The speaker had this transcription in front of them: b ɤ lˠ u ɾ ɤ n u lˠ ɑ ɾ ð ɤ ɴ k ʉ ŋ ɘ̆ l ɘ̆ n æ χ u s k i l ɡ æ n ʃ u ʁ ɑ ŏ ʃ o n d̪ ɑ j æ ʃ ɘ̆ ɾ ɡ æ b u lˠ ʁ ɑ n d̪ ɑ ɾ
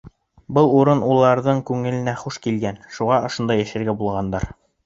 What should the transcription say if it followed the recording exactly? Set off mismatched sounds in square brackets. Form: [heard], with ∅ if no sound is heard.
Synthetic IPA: b ɤ lˠ u ɾ ɤ n u lˠ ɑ ɾ ð ɤ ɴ k ʉ ŋ ɘ̆ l ɘ̆ n æ χ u [ʃ] k i l ɡ æ n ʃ u ʁ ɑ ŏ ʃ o n d̪ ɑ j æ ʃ ɘ̆ ɾ ɡ æ b u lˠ ʁ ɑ n d̪ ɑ ɾ

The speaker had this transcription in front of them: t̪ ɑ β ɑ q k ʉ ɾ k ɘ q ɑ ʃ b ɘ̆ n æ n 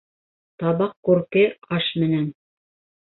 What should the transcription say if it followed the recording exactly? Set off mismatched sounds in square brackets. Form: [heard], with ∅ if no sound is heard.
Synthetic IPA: t̪ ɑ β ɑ q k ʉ ɾ k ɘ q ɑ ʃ [m] ɘ̆ n æ n

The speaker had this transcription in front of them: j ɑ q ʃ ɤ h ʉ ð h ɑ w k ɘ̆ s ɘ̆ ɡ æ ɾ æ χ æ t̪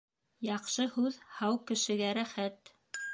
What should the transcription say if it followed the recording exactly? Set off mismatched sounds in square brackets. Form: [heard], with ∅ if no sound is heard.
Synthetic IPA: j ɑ q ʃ ɤ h ʉ ð h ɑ w k ɘ̆ [ʃ] ɘ̆ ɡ æ ɾ æ χ æ t̪

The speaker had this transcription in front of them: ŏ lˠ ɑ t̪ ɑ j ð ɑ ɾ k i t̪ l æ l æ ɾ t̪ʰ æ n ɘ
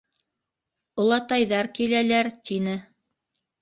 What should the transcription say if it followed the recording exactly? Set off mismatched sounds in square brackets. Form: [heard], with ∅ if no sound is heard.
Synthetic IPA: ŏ lˠ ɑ t̪ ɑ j ð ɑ ɾ k i [∅] l æ l æ ɾ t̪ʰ [i] n ɘ

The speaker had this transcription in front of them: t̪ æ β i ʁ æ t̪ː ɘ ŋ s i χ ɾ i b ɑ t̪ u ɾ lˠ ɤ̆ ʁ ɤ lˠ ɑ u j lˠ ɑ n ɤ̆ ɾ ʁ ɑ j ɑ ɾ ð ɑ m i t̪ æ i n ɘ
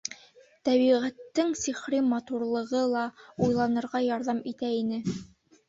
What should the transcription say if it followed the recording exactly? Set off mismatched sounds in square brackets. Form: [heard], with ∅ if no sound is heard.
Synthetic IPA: t̪ æ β i ʁ æ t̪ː ɘ ŋ s i χ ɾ i [m] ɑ t̪ u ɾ lˠ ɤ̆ ʁ ɤ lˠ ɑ u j lˠ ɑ n ɤ̆ ɾ ʁ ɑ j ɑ ɾ ð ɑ m i t̪ æ i n ɘ

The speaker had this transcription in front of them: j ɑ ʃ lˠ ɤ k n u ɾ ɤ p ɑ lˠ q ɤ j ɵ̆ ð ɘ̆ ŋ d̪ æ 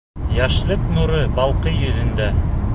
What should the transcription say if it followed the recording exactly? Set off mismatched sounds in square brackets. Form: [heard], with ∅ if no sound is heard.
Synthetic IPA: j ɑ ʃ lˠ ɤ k n u ɾ ɤ [b] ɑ lˠ q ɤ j ɵ̆ ð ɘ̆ [n] d̪ æ

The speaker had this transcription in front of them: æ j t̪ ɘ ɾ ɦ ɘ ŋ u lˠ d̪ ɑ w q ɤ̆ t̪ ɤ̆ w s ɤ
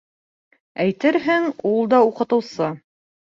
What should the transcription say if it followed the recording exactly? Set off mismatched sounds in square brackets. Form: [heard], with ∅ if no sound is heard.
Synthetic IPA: æ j t̪ ɘ ɾ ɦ ɘ ŋ u lˠ d̪ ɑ [u] q ɤ̆ t̪ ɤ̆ w s ɤ

